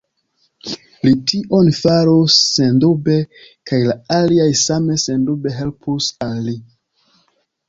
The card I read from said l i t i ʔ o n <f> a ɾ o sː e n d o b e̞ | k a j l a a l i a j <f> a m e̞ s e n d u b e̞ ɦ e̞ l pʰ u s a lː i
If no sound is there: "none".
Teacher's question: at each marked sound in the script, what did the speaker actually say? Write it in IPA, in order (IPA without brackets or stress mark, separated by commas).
f, s